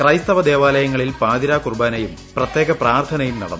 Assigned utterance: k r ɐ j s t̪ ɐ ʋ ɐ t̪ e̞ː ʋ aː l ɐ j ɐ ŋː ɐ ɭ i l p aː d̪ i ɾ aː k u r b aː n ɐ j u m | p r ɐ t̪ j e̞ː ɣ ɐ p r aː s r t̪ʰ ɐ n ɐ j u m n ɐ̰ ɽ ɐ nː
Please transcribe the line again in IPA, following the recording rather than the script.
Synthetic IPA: k r ɐ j s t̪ ɐ ʋ ɐ d̪ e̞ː ʋ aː l ɐ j ɐ ŋː ɐ ɭ i l p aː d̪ i ɾ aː k u r b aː n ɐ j u m | p r ɐ t̪ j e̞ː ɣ ɐ p r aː r t̪ʰ ɐ n ɐ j u m n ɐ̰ ɽ ɐ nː